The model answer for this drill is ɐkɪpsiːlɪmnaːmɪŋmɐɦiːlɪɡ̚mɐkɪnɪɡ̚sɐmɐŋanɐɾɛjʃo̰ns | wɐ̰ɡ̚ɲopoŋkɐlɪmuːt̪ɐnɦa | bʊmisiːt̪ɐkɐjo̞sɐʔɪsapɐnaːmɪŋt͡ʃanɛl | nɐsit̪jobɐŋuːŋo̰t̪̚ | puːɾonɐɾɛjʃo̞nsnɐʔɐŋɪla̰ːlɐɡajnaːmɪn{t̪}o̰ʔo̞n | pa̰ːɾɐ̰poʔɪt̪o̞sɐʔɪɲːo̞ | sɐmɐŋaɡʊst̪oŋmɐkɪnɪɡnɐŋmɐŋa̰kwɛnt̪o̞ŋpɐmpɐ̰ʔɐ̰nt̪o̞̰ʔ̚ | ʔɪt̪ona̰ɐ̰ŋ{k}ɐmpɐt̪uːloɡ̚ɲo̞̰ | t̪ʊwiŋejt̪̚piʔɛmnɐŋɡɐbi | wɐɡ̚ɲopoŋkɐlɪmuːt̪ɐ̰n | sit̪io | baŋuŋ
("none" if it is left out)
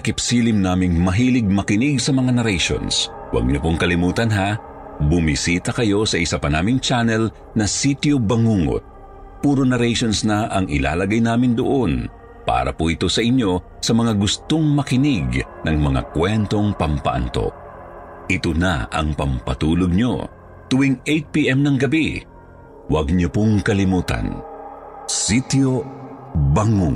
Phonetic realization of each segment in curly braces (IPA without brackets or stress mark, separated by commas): d̪, p